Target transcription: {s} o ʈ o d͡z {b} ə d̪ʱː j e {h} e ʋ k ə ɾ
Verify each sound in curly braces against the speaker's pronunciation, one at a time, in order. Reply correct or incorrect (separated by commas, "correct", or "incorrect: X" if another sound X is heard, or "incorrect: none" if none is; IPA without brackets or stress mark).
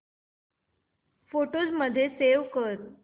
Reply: incorrect: f, incorrect: m, incorrect: s